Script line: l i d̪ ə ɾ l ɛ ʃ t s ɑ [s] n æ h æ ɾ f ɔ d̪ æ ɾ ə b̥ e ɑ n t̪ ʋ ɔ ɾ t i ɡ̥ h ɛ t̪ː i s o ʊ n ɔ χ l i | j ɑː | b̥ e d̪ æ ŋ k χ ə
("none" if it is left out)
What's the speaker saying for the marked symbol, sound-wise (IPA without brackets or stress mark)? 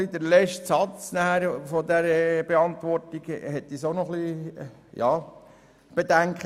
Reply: t͡s